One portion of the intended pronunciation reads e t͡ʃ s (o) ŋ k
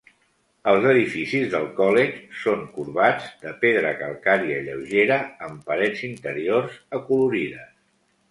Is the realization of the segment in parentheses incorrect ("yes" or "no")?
no